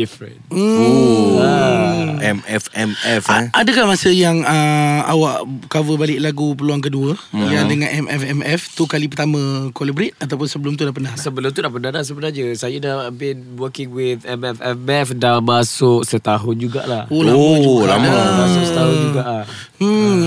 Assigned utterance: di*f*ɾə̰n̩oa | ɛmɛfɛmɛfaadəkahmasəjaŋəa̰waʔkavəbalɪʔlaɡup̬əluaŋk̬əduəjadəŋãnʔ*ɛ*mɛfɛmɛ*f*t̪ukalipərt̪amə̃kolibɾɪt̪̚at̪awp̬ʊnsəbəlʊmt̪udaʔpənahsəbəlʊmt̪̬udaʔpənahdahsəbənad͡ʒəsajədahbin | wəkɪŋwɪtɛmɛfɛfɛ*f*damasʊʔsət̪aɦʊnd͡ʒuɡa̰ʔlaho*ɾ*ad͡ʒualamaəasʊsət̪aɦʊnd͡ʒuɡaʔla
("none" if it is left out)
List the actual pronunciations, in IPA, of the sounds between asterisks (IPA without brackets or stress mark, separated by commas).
f, ɛ, f, f, l